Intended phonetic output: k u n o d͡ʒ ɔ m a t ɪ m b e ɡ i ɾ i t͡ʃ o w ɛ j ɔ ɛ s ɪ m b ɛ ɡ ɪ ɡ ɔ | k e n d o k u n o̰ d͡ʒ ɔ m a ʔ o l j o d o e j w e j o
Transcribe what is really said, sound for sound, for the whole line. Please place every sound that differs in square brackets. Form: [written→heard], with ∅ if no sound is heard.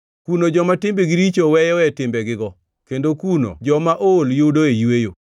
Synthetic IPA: k u n o d͡ʒ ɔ m a t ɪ m b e ɡ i ɾ i t͡ʃ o w ɛ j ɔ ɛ [s→t] ɪ m b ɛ ɡ ɪ ɡ ɔ | k e n d o k u n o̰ d͡ʒ ɔ m a ʔ o l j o d o e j w e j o